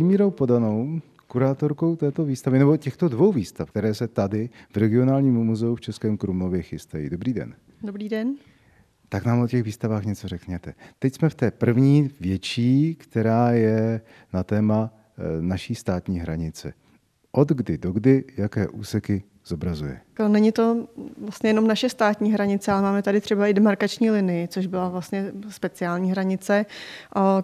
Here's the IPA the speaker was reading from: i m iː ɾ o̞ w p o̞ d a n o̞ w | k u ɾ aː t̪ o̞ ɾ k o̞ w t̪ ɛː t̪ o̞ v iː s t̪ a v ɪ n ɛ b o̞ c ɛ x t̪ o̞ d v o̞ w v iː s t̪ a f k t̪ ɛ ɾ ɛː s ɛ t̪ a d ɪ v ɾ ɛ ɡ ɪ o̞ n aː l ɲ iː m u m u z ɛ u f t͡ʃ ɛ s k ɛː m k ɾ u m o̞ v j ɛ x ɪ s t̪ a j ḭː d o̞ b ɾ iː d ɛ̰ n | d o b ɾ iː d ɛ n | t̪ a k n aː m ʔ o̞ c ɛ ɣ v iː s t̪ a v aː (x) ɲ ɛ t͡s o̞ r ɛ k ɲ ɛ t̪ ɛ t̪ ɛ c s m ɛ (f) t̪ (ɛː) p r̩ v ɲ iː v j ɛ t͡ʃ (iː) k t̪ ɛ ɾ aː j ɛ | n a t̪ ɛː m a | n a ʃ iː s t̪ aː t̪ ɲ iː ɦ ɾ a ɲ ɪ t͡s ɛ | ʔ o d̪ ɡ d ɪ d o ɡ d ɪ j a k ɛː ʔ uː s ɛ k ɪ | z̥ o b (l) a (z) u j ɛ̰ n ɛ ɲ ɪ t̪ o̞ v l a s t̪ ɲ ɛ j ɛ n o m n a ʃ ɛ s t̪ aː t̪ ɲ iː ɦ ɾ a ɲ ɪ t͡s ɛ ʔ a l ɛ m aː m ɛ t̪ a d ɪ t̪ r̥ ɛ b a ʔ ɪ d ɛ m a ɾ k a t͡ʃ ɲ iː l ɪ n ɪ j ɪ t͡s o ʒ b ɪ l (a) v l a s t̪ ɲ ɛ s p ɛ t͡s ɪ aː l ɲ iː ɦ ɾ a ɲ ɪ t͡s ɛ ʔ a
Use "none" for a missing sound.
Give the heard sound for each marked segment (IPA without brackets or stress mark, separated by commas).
x, f, ɛː, iː, ɾ, z, a